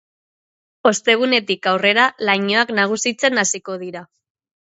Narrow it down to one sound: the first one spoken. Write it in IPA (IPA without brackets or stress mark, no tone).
o̞